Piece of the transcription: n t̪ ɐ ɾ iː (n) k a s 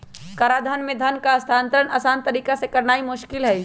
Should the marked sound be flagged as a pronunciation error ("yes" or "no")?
yes